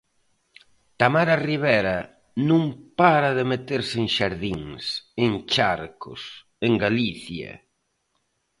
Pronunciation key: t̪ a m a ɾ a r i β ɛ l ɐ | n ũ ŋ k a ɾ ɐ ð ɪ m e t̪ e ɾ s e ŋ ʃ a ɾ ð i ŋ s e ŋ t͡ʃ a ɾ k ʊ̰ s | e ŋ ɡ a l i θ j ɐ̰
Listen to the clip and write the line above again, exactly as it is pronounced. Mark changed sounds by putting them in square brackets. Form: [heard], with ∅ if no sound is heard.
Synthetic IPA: t̪ a m a ɾ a r i β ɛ [ɾ] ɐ | n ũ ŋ [p] a ɾ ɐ ð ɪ m e t̪ e ɾ s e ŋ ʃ a ɾ ð i ŋ s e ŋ t͡ʃ a ɾ k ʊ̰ s | e ŋ ɡ a l i θ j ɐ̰